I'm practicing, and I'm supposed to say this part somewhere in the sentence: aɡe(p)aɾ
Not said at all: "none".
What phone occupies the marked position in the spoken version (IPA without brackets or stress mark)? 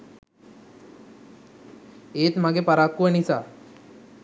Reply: p